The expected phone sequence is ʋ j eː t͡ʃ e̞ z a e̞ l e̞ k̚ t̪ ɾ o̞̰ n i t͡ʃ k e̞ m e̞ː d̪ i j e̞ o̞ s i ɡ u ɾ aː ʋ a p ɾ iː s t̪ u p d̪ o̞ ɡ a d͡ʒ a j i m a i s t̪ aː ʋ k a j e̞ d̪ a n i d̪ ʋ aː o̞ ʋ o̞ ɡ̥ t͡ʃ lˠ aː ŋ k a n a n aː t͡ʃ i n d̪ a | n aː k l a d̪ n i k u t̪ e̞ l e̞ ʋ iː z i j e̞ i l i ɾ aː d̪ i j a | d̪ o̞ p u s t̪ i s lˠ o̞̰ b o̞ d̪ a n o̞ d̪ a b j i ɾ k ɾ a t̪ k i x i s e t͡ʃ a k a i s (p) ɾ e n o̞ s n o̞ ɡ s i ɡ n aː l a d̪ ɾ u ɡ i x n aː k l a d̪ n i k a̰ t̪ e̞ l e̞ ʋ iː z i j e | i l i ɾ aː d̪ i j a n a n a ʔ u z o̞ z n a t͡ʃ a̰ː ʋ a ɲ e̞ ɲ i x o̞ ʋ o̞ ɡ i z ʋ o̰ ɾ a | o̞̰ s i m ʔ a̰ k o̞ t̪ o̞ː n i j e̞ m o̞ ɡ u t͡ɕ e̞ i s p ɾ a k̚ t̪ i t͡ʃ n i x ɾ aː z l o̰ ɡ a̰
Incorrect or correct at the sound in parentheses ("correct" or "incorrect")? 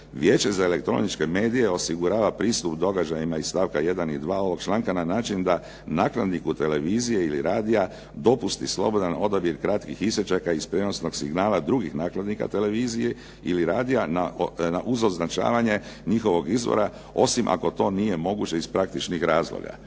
correct